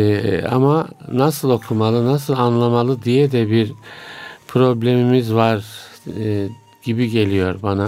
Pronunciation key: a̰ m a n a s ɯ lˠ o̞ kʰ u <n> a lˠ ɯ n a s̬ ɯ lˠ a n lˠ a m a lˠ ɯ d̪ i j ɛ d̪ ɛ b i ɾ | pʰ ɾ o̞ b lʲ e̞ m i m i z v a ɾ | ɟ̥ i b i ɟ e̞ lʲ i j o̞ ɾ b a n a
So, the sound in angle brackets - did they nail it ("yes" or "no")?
no